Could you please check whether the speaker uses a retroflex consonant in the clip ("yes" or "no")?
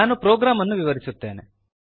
no